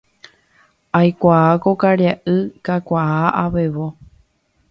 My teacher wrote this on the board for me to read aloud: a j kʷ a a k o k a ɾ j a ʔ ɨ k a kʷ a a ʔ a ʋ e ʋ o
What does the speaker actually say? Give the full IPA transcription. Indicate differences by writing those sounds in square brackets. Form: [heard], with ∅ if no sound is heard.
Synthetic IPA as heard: a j kʷ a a k o k a ɾ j a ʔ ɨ k a kʷ a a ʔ a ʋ e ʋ o